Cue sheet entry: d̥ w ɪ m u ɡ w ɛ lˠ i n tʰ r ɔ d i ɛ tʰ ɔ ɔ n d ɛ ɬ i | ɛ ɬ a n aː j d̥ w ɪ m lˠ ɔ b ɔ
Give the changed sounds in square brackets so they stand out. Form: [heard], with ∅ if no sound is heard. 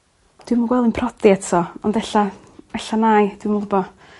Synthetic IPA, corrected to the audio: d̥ w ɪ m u ɡ w ɛ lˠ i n [pʰ] r ɔ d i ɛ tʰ ɔ ɔ n d ɛ ɬ [a] | ɛ ɬ a n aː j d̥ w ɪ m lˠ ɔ b ɔ